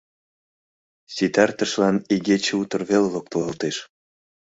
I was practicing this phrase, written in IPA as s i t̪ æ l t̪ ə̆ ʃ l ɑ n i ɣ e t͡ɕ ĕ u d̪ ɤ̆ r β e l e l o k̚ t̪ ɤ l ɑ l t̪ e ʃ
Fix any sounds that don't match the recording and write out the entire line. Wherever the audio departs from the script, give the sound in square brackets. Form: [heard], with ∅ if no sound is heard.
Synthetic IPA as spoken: s i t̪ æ [r] t̪ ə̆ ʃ l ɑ n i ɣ e t͡ɕ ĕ u [t̪] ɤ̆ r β e l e l o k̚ t̪ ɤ l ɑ l t̪ e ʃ